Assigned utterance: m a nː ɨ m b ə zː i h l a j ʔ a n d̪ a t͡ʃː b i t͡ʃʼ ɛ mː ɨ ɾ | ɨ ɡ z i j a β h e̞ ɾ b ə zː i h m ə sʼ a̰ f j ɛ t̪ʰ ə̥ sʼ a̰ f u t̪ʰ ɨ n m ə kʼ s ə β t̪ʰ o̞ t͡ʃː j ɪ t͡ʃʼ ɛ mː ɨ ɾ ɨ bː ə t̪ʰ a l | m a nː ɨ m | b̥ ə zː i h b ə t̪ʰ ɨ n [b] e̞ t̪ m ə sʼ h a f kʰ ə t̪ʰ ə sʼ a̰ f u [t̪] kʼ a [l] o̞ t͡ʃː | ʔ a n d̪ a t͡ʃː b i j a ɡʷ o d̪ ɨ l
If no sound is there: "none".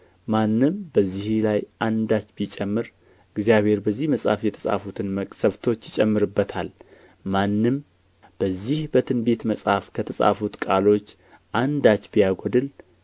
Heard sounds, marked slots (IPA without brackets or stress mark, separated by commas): b, t̪, l